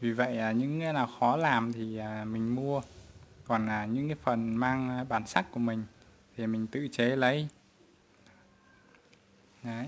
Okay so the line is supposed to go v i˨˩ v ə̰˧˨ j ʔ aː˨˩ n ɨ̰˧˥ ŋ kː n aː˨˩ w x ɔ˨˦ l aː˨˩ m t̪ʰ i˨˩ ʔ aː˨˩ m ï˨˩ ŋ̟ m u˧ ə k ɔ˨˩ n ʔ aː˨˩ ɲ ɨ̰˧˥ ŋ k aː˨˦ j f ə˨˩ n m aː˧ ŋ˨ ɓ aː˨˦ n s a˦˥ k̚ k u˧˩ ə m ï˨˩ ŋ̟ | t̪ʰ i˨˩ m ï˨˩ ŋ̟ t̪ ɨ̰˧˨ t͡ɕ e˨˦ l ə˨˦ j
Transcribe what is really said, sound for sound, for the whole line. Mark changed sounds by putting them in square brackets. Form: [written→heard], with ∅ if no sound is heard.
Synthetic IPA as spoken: v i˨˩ v ə̰˧˨ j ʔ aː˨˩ [n→ɲ] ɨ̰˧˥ ŋ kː n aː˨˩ w x ɔ˨˦ l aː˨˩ m t̪ʰ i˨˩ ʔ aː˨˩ m ï˨˩ ŋ̟ m u˧ ə k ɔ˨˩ n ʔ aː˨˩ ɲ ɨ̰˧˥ ŋ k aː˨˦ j f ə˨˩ n m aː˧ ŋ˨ ɓ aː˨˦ n s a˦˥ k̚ k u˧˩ ə m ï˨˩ ŋ̟ | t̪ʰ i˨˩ m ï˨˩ ŋ̟ t̪ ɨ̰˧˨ t͡ɕ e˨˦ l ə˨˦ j